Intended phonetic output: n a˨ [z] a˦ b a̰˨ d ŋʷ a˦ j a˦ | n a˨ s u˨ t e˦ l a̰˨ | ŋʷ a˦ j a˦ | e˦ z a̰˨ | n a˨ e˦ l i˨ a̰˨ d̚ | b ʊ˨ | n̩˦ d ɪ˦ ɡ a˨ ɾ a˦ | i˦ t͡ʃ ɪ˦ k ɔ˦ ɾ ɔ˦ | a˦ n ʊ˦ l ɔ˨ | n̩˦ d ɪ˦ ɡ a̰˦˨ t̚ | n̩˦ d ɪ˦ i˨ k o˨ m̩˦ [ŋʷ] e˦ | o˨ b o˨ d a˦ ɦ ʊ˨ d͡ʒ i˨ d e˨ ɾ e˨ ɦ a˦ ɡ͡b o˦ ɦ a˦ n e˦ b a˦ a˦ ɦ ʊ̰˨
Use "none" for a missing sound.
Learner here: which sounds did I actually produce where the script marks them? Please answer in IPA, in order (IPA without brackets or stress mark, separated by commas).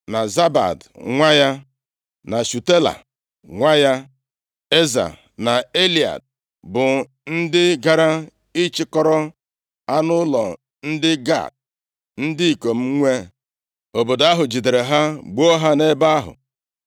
z, ŋʷ